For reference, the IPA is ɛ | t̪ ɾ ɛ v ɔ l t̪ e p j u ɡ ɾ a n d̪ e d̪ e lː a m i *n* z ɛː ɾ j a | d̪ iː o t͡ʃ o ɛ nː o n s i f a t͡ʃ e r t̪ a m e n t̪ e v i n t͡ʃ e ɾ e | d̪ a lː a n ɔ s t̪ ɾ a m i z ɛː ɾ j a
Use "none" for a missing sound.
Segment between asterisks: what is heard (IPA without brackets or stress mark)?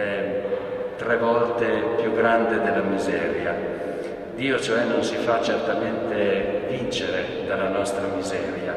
none